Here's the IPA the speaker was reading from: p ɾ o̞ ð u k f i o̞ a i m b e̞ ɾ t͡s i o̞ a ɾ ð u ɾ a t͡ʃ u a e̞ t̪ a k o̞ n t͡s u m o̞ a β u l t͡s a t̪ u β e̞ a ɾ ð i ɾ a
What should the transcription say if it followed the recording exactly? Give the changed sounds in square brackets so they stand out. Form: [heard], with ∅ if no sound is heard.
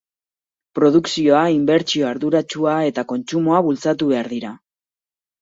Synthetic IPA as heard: p ɾ o̞ ð u k [s] i o̞ a i m b e̞ ɾ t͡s i o̞ a ɾ ð u ɾ a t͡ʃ u a e̞ t̪ a k o̞ n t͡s u m o̞ a β u l t͡s a t̪ u β e̞ a ɾ ð i ɾ a

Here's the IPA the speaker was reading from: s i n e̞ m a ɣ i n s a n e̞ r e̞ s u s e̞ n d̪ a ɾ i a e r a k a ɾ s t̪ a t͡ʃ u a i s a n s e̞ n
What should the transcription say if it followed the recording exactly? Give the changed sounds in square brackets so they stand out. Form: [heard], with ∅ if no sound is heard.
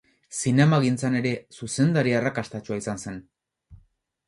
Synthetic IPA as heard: s i n e̞ m a ɣ i n [t͡s] a n e̞ [ɾ] e̞ s u s e̞ n d̪ a ɾ i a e r a k a [∅] s t̪ a t͡ʃ u a i s a n s e̞ n

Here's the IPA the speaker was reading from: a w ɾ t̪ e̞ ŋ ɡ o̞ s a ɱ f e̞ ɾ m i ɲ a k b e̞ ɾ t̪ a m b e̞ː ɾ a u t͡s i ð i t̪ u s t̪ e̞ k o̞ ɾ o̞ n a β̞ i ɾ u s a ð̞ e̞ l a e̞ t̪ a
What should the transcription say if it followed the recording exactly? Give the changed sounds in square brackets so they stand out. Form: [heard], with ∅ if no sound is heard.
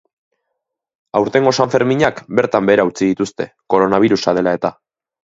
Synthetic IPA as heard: a w ɾ t̪ e̞ ŋ ɡ o̞ s a ɱ f e̞ ɾ m i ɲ a k b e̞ ɾ t̪ a m b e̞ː ɾ a u t͡s i ð i t̪ u s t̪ e̞ k o̞ ɾ o̞ n a β̞ i ɾ u s a ð̞ e̞ l a e̞ t̪ a

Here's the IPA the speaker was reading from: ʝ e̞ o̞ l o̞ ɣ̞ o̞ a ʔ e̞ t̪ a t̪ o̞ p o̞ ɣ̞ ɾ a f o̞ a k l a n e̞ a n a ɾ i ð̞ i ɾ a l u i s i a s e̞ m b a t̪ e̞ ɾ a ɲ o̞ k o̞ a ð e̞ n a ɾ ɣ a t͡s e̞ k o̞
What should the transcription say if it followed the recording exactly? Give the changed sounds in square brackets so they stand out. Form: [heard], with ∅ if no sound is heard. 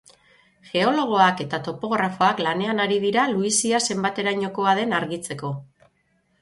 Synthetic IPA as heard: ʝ e̞ o̞ l o̞ ɣ̞ o̞ a [k] e̞ t̪ a t̪ o̞ p o̞ ɣ̞ ɾ a f o̞ a k l a n e̞ a n a ɾ i ð̞ i ɾ a l u i s i a s e̞ m b a t̪ e̞ ɾ a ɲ o̞ k o̞ a ð e̞ n a ɾ ɣ [i] t͡s e̞ k o̞

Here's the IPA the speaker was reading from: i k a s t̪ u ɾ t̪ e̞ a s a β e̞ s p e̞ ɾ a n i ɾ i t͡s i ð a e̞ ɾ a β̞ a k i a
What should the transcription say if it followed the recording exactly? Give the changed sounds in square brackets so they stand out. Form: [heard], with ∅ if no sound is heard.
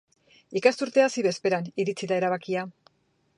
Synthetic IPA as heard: i k a s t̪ u ɾ t̪ e̞ a s [i] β e̞ s p e̞ ɾ a n i ɾ i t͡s i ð a e̞ ɾ a β̞ a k i a

